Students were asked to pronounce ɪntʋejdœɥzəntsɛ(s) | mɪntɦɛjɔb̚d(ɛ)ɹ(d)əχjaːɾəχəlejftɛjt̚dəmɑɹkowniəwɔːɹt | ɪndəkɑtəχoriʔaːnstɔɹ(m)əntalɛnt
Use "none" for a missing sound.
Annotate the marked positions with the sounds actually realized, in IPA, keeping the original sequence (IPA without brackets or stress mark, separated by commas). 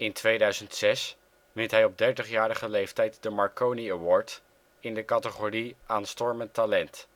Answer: s, ɛ, t, m